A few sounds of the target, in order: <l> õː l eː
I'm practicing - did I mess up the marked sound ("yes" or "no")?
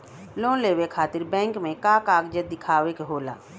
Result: no